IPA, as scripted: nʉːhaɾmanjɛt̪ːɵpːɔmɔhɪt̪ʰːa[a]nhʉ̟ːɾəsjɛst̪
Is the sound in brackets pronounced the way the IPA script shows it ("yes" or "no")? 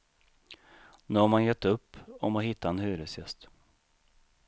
no